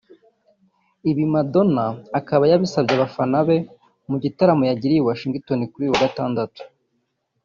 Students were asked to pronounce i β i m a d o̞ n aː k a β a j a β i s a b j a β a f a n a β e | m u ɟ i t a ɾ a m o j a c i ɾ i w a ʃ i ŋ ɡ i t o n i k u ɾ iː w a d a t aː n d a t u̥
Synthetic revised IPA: i β i m a d o̞ n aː k a β a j a β i s a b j a β a f a n a β e | m u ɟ i t a ɾ a m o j a ɟ i ɾ i w a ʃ i ŋ ɡ i t o n i k u ɾ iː w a ɡ a t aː n d a t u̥

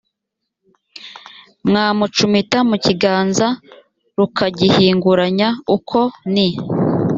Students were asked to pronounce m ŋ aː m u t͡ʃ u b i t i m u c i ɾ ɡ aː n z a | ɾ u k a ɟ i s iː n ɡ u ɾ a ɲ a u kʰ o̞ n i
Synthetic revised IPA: m ŋ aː m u t͡ʃ u m i t a m u c i ɡ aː n z a | ɾ u k a ɟ i h iː ŋ ɡ u ɾ a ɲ a u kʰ o̞ n i

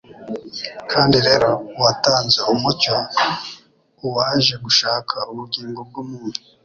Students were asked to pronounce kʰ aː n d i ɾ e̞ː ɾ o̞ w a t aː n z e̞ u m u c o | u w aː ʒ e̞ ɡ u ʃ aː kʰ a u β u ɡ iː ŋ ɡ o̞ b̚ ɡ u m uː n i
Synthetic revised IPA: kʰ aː n d i ɾ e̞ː ɾ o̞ w a t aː n z e̞ u m u c o | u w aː ʒ e̞ ɡ u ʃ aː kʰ a u β u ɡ iː ŋ ɡ o̞ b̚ ɡ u m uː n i

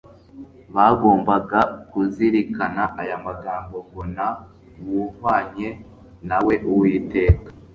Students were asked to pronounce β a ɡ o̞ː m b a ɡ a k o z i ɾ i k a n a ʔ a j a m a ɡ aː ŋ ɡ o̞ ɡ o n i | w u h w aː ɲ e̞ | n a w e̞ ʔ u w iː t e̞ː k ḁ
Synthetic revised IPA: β a ɡ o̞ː m b a ɡ a k u z i ɾ i k a n a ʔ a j a m a ɡ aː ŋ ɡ o̞ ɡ o n a | w u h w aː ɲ e̞ | n a w e̞ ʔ u w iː t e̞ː k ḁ

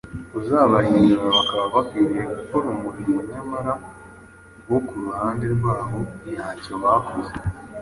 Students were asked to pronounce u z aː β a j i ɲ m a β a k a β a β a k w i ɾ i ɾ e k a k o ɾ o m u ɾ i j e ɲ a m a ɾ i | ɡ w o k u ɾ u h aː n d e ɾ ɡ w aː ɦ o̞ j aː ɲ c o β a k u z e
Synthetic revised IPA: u z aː β a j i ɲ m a β a k a β a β a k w i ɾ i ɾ e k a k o ɾ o m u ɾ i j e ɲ a m a ɾ a | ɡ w o k u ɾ u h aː n d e ɾ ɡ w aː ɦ o̞ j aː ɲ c o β a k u z e

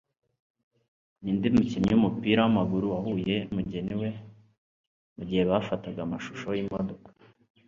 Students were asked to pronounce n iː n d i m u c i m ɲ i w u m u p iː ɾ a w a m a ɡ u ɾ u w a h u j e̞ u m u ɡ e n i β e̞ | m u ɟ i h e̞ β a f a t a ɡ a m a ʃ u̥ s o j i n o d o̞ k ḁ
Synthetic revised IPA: n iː n d i m u c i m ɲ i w u m u p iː ɾ a w a m a ɡ u ɾ u w a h u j e̞ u m u ɟ e n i w e̞ | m u ɟ i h e̞ β a f a t a ɡ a m a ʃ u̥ ʃ o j i m o d o̞ k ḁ

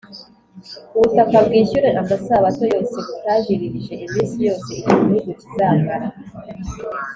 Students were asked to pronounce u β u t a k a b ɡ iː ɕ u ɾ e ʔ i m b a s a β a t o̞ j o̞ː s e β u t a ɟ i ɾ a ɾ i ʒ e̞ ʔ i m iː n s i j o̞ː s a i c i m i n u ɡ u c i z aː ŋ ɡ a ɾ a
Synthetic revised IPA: u β u t a k a b ɡ iː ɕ u ɾ e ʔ a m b a s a β a t o̞ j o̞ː s e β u t a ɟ i ɾ i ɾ i ʒ e̞ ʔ i m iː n s i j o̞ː s e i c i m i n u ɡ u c i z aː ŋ ɡ a ɾ a

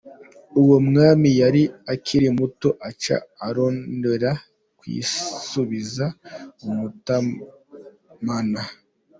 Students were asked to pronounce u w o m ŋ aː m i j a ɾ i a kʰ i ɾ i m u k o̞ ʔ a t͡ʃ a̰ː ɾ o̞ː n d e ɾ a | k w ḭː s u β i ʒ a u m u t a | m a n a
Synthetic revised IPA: u w o m ŋ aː m i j a ɾ i a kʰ i ɾ i m u t o̞ ʔ a t͡ʃ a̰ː ɾ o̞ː n d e ɾ a | k w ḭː s u β i z a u m u t a | m a n a

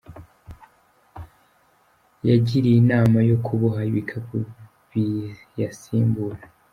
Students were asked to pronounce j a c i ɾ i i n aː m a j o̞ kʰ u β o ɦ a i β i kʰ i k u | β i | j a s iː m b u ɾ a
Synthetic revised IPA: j a ɟ i ɾ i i n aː m a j o̞ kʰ u β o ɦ a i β i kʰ a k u | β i | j a s iː m b u ɾ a

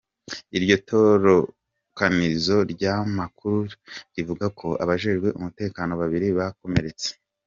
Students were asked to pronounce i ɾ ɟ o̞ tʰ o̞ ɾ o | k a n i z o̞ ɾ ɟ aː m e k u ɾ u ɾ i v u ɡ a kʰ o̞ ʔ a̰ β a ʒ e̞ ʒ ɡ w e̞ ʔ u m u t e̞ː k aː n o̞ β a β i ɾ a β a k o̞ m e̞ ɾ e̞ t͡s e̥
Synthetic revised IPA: i ɾ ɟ o̞ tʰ o̞ ɾ o | k a n i z o̞ ɾ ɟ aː m a k u ɾ u ɾ i v u ɡ a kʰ o̞ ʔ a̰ β a ʒ e̞ ʒ ɡ w e̞ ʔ u m u t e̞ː k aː n o̞ β a β i ɾ i β a k o̞ m e̞ ɾ e̞ t͡s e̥

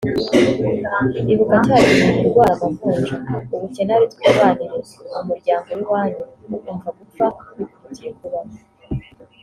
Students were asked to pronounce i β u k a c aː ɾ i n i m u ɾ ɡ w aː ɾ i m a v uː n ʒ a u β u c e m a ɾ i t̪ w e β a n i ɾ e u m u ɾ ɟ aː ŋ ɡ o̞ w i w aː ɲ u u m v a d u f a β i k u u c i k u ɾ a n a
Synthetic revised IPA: i β u k a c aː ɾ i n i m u ɾ ɡ w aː ɾ a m a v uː n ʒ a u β u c e n a ɾ i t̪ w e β a n i ɾ e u m u ɾ ɟ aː ŋ ɡ o̞ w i w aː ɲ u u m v a ɡ u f a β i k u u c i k u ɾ a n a

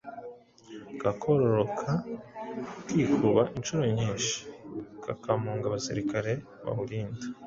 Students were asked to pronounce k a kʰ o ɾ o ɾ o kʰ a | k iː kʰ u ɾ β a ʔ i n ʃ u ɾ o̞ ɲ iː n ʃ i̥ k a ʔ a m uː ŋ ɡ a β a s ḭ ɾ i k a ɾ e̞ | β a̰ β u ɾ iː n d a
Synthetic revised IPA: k a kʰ o ɾ o ɾ o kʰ a | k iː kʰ u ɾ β a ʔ i n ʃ u ɾ o̞ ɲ iː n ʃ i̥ k a k a m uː ŋ ɡ a β a s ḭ ɾ i k a ɾ e̞ | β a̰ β u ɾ iː n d a

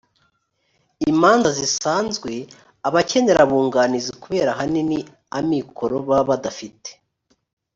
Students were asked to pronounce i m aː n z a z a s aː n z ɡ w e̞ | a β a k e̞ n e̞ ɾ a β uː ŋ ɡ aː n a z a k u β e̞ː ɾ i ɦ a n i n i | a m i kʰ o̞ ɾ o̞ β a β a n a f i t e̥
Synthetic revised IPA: i m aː n z a z i s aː n z ɡ w e̞ | a β a c e̞ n e̞ ɾ a β uː ŋ ɡ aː n i z i k u β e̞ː ɾ a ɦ a n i n i | a m i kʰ o̞ ɾ o̞ β a β a d a f i t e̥

